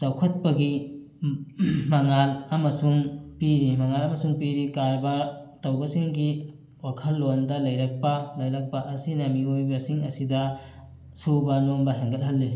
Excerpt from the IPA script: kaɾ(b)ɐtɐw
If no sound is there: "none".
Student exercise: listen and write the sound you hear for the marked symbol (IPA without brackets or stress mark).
b